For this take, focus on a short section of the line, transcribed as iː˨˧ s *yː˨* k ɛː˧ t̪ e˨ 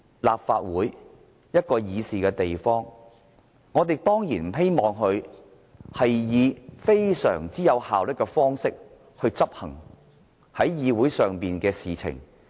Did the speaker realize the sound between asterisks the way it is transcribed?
no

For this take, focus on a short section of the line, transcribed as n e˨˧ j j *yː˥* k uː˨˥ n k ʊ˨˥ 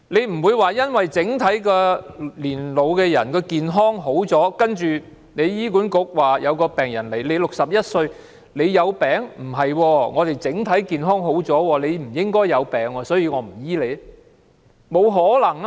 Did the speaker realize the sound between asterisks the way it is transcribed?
no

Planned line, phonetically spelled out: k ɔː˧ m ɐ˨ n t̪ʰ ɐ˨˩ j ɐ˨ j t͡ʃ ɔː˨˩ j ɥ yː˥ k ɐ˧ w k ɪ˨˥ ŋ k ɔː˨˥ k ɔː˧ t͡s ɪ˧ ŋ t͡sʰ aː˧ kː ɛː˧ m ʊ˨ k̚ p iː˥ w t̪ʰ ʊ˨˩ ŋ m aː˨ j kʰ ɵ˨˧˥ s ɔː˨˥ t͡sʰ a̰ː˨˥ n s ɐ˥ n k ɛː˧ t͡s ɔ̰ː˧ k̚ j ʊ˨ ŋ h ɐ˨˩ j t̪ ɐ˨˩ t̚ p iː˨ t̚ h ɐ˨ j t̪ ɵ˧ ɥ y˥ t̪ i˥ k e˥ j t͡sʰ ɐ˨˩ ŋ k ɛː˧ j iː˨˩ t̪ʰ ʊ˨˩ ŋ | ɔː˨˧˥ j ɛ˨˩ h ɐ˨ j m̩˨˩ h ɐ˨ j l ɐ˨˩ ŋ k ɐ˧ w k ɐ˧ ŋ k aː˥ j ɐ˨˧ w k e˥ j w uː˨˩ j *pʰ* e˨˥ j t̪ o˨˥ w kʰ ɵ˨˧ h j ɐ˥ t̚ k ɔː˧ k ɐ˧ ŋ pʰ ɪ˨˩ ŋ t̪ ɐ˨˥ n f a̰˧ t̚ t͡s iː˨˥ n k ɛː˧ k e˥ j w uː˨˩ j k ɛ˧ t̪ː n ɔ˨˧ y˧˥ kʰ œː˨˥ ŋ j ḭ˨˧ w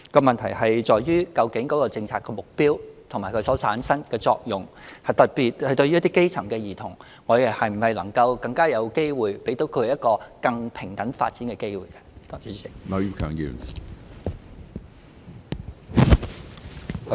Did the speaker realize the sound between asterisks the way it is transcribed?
no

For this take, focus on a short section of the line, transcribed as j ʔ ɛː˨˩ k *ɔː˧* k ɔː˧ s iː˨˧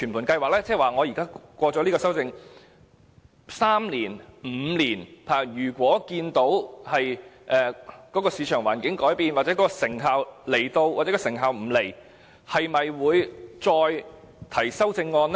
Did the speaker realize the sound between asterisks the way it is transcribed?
no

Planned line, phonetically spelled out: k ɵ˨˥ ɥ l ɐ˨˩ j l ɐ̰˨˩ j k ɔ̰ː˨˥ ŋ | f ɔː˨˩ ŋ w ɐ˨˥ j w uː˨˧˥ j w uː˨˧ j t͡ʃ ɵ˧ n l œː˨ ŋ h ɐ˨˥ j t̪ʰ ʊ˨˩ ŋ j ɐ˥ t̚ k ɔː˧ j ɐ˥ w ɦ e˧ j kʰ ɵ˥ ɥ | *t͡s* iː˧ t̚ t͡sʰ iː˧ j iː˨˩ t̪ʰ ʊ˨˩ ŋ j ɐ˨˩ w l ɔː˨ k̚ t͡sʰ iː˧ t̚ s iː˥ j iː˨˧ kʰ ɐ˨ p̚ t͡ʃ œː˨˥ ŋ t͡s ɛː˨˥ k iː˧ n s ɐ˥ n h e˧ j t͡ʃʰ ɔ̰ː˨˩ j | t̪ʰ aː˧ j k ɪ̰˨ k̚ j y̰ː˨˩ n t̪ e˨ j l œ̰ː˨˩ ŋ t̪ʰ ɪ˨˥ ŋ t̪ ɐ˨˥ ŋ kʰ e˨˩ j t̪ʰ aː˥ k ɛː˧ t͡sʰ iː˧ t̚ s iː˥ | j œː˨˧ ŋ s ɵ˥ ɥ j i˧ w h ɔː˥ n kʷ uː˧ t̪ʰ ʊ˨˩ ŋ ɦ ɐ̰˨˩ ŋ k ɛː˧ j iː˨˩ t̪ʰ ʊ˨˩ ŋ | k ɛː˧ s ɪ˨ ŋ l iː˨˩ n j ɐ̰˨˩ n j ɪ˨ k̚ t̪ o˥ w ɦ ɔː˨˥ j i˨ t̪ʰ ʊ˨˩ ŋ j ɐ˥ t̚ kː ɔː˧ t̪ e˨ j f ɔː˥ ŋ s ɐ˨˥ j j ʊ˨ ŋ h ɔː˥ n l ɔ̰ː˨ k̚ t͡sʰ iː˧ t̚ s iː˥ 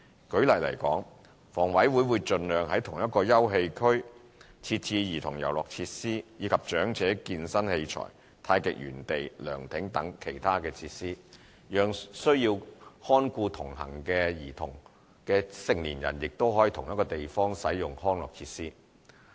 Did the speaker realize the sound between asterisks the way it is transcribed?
no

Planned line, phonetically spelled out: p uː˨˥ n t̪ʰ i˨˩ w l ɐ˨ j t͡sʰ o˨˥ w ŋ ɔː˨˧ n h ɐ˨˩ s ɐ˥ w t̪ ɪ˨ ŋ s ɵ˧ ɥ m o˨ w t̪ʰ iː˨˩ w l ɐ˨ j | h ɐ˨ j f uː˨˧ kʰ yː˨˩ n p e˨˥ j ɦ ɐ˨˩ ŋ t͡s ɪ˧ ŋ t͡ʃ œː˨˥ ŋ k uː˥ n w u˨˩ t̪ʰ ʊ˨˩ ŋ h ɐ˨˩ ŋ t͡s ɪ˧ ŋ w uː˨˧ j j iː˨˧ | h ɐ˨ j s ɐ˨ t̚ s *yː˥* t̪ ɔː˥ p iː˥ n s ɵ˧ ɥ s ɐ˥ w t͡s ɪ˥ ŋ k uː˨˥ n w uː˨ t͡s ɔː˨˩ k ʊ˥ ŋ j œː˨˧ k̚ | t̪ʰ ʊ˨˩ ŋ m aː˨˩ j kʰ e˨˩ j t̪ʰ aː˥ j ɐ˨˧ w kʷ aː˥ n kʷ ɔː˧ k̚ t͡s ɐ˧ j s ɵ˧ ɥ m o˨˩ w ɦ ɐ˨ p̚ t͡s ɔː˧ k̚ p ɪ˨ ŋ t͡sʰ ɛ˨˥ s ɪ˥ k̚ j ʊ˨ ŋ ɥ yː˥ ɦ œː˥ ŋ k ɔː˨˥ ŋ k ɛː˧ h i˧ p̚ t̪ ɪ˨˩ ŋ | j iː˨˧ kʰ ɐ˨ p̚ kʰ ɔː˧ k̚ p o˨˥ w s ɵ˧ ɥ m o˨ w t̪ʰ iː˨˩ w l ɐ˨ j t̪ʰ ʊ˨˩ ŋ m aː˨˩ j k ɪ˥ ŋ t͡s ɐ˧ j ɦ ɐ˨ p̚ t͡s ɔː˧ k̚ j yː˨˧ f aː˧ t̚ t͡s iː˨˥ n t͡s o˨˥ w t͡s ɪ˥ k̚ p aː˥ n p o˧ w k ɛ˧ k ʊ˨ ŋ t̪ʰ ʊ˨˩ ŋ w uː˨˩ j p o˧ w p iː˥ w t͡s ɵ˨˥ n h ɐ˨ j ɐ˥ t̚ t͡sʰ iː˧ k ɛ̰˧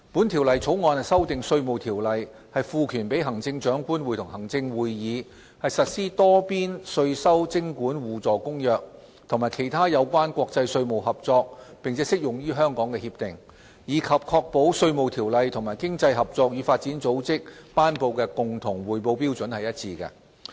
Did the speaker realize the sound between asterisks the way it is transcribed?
no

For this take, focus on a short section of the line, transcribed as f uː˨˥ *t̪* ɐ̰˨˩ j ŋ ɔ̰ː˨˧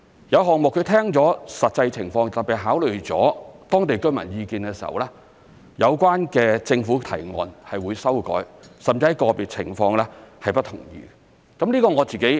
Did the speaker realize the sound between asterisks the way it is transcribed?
no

